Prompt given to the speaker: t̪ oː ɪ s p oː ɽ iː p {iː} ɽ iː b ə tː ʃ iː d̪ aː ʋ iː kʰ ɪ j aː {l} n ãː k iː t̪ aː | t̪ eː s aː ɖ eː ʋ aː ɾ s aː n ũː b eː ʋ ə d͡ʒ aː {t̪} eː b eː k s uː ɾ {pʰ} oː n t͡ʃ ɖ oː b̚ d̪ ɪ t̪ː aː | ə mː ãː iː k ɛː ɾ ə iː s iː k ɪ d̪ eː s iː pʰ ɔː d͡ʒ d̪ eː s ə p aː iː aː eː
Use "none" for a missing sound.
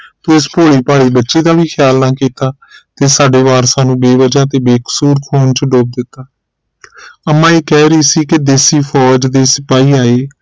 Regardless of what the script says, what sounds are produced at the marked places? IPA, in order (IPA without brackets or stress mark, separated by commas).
aː, l, t̪, kʰ